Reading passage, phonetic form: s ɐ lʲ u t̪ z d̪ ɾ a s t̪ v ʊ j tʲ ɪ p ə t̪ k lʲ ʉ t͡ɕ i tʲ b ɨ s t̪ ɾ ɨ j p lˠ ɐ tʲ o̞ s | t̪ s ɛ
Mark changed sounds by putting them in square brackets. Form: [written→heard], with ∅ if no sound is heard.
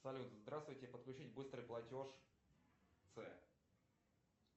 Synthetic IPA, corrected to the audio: s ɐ lʲ u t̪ z d̪ ɾ a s t̪ v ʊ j tʲ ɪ p ə t̪ k lʲ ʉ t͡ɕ i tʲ b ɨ s t̪ ɾ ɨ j p lˠ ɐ tʲ o̞ [s→ʂ] | t̪ s ɛ